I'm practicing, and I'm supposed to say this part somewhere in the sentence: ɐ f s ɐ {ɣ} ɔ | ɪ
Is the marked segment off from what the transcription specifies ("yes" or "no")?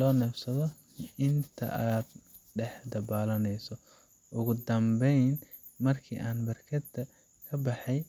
yes